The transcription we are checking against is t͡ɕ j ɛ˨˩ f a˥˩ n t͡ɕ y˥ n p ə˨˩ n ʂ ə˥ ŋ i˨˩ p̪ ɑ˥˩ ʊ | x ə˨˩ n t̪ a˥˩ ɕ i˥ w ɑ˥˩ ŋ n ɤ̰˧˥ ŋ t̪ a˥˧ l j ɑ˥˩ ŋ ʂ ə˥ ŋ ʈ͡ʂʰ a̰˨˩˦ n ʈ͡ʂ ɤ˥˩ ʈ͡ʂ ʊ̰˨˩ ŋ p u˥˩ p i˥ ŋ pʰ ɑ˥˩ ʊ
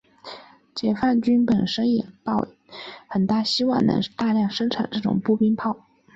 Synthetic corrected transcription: t͡ɕ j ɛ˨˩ f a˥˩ n t͡ɕ y˥ n p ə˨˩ n ʂ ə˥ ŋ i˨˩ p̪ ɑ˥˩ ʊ | x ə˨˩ n t̪ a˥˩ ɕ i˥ w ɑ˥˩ ŋ n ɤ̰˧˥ ŋ t̪ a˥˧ l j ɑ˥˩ ŋ ʂ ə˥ ŋ ʈ͡ʂʰ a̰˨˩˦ n ʈ͡ʂ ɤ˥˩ ʈ͡ʂ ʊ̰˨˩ ŋ p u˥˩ p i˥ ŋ pʰ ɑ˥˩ ʊ